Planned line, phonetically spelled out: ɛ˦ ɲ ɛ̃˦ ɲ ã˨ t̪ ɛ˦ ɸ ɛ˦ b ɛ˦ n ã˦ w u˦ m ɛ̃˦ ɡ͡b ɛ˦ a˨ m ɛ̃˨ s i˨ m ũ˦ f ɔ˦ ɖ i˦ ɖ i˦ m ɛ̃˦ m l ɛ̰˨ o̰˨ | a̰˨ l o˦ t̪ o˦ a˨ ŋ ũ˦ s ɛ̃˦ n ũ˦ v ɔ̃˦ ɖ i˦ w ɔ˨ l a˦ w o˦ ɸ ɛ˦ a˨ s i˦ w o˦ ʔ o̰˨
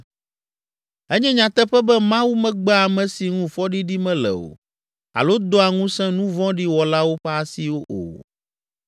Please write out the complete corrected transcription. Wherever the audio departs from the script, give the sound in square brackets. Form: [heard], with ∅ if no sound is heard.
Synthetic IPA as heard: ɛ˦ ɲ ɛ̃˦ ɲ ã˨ t̪ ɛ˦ ɸ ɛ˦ b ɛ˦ [m] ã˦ w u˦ m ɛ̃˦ ɡ͡b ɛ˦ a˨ m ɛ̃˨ s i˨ [ŋ] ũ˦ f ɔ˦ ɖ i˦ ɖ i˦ m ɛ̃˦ [∅] l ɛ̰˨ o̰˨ | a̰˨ l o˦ [d̪] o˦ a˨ ŋ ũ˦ s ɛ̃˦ n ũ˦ v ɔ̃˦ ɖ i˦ w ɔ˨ l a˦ w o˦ ɸ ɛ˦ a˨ s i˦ w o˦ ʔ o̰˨

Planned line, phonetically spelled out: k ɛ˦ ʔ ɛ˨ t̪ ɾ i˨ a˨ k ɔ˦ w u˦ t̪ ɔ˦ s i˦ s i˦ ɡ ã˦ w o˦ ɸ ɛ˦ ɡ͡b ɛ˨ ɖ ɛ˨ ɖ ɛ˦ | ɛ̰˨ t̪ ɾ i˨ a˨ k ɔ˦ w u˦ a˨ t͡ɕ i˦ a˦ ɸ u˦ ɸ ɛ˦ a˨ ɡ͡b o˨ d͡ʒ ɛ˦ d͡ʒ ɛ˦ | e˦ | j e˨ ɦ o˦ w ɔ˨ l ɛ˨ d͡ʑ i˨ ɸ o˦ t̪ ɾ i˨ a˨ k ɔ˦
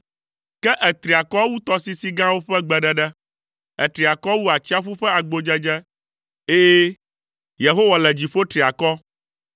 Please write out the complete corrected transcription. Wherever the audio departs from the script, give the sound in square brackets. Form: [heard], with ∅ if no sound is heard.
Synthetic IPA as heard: k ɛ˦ ʔ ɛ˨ t̪ ɾ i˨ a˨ k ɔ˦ w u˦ t̪ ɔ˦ s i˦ s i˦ ɡ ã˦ w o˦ ɸ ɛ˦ ɡ͡b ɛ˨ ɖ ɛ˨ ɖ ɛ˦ | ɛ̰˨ t̪ ɾ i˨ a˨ k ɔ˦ w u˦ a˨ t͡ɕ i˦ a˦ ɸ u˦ ɸ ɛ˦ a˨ ɡ͡b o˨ d͡ʒ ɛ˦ d͡ʒ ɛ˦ | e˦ | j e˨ ɦ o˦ w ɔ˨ l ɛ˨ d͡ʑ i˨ ɸ o˦ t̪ ɾ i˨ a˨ k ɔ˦

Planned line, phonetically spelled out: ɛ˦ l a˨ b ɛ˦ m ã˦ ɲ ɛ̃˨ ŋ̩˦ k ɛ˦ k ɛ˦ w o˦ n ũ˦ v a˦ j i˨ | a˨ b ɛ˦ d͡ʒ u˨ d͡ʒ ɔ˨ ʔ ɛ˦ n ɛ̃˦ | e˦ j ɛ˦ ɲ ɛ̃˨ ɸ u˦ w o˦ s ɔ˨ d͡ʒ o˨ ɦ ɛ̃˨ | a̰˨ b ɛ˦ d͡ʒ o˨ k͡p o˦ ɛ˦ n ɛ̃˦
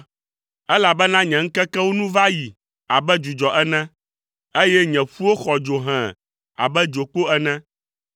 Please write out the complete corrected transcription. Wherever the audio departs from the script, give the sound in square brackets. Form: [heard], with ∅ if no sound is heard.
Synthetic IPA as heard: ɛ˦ l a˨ b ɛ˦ [n] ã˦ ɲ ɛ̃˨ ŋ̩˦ k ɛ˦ k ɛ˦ w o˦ n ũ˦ v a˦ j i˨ | a˨ b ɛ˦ d͡ʒ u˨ d͡ʒ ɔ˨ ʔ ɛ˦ n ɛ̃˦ | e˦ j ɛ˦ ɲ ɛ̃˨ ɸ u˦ w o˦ [x] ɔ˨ d͡ʒ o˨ ɦ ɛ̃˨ | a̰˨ b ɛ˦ d͡ʒ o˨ k͡p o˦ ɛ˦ n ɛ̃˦

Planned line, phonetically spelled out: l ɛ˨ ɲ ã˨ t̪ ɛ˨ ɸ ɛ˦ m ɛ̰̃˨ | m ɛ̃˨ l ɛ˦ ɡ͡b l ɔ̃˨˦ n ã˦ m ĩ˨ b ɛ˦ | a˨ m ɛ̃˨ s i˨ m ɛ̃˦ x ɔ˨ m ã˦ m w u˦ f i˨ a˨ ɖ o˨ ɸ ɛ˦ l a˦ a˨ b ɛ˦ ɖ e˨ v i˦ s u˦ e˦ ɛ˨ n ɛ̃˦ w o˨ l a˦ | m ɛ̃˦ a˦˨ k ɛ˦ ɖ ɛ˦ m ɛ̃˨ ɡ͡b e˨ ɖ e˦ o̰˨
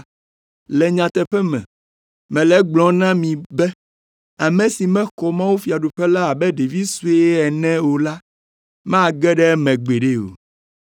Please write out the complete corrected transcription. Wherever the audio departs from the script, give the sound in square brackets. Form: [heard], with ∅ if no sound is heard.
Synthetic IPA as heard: l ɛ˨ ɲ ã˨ t̪ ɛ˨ ɸ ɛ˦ m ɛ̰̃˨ | m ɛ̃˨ l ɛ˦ ɡ͡b l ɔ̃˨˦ n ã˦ m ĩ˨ b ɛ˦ | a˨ m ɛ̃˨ s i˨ m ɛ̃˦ x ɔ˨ m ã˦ [∅] w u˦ f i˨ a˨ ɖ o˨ ɸ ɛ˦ l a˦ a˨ b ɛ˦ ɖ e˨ v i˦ s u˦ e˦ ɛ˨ n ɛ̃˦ w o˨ l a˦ | m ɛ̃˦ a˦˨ [ɡ] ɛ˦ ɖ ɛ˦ m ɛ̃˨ ɡ͡b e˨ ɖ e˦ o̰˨

